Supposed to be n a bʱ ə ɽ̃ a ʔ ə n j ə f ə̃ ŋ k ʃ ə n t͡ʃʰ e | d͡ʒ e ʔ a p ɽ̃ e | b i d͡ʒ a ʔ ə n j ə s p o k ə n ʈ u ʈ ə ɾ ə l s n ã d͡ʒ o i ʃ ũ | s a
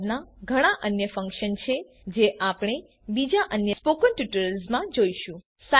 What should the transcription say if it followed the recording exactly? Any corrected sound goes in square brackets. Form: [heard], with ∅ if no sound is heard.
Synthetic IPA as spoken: n a [ɡʱ] ə ɽ̃ a ʔ ə n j ə f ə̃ ŋ k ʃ ə n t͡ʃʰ e | d͡ʒ e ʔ a p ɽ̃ e | b i d͡ʒ a ʔ ə n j ə s p o k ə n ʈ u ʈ ə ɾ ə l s [m] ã d͡ʒ o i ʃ ũ | s a